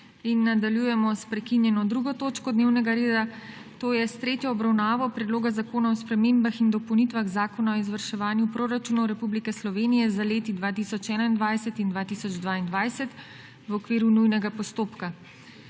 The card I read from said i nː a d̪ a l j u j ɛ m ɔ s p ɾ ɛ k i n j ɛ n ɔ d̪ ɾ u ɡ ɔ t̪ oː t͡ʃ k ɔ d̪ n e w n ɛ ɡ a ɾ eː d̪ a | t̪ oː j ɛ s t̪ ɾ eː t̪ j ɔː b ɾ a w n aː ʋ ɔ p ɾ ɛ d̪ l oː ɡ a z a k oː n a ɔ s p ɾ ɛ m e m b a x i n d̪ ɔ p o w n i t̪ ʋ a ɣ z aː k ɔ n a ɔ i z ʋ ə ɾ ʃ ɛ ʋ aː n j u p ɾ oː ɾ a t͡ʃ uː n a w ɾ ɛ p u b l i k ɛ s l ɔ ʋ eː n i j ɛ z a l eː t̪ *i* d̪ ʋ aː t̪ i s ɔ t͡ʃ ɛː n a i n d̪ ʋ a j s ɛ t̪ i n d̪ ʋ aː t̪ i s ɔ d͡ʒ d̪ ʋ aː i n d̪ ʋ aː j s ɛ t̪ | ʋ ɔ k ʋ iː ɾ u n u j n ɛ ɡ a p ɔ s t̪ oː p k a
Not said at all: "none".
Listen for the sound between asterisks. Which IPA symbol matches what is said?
i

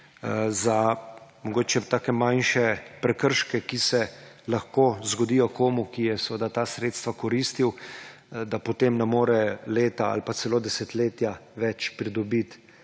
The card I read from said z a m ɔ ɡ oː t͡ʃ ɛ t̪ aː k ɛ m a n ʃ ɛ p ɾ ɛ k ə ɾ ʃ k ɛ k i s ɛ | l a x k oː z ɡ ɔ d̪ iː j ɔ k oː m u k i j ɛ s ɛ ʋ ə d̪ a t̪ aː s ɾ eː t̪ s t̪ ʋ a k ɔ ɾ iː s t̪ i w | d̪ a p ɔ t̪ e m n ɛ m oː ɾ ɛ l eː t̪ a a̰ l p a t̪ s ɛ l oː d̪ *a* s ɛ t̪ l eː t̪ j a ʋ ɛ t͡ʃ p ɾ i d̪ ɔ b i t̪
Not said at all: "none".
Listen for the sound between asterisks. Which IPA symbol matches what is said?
ɛ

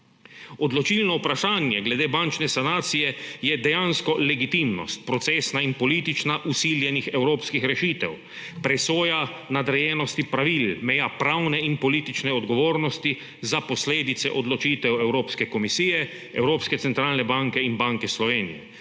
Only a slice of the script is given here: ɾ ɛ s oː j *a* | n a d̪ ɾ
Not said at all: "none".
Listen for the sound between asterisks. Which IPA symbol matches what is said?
a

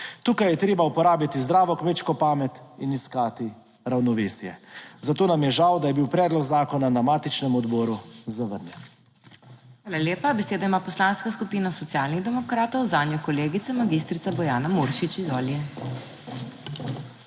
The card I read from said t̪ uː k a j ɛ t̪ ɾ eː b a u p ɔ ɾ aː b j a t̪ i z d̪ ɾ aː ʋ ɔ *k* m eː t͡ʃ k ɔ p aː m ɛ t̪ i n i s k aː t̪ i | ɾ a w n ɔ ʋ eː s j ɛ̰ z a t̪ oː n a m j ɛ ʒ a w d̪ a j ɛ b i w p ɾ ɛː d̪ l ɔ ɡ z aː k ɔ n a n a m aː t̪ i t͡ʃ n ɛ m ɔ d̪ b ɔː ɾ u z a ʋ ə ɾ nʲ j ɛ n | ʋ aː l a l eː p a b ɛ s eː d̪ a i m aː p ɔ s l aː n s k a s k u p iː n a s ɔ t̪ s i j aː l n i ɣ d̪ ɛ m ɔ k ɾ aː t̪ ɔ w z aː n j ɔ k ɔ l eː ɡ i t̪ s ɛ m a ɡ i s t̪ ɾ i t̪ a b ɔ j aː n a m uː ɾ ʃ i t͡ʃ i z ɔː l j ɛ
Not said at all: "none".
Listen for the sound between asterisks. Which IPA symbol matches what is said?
k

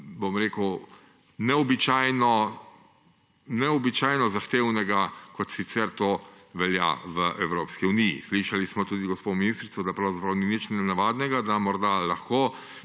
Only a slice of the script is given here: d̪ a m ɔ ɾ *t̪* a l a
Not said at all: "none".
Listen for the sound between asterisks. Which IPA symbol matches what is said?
d̪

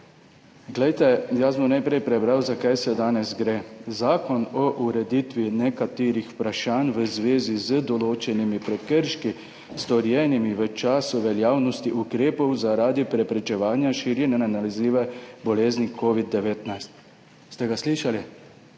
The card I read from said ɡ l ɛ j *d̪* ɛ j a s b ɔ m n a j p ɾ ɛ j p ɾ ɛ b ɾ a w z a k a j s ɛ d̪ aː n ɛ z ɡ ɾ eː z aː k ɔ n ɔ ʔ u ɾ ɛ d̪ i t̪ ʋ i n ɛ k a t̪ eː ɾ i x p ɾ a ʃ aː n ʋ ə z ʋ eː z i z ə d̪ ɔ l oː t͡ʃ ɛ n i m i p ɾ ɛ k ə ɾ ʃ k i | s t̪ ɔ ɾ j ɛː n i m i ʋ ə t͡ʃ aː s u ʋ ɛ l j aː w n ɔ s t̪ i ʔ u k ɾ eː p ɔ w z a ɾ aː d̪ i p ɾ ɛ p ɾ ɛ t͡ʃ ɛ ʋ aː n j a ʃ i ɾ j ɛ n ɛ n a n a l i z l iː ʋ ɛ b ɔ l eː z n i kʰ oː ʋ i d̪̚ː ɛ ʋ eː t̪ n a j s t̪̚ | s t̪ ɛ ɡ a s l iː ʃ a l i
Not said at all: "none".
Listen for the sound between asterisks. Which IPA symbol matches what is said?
t̪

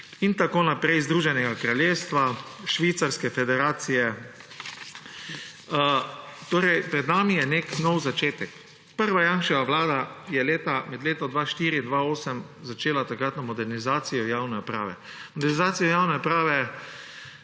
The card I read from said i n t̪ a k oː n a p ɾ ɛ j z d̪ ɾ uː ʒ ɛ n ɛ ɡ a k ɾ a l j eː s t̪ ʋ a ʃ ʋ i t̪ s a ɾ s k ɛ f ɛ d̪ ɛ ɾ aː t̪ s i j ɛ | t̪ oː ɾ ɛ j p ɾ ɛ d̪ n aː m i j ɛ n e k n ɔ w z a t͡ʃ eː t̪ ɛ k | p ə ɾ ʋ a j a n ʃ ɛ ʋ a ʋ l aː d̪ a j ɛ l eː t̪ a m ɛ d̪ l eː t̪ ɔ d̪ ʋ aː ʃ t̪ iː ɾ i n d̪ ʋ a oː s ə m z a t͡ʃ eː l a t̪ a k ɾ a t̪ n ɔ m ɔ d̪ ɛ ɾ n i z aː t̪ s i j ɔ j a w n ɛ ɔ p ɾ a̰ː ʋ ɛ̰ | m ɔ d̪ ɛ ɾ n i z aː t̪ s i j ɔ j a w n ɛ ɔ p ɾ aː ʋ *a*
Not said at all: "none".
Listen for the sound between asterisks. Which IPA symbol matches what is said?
ɛ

